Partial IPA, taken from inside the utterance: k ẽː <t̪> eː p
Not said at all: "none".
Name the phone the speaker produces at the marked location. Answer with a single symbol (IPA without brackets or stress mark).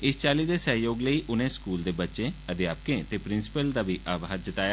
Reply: t̪